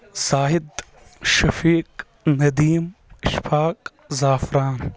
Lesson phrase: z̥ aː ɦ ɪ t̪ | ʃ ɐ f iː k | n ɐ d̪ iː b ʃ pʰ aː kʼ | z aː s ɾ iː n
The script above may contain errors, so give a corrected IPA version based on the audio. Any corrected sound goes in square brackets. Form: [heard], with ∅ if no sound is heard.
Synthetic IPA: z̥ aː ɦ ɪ [d̪] | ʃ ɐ f iː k | n ɐ d̪ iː [m] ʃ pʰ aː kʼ | z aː [f] ɾ [aː] n